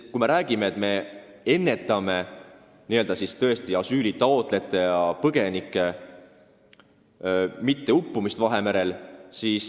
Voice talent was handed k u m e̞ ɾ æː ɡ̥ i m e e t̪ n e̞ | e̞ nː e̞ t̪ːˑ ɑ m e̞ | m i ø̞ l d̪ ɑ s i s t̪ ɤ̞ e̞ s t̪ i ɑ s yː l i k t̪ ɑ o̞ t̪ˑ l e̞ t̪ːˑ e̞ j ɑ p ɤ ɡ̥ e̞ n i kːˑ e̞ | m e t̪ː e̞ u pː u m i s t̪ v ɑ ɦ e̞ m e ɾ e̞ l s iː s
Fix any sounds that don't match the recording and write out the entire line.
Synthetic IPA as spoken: k u m e̞ ɾ æː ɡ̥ i m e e t̪ m e̞ | e̞ nː e̞ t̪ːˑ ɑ m e̞ | n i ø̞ l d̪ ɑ s i s t̪ ɤ̞ e̞ s t̪ i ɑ s yː l i t̪ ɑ o̞ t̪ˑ l e̞ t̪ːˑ e̞ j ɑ p ɤ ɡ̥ e̞ n i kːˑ e̞ | m i t̪ː e̞ u pː u m i s t̪ v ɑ ɦ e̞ m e ɾ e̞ l s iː s